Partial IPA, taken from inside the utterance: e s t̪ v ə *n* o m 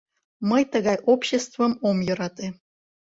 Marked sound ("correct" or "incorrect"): incorrect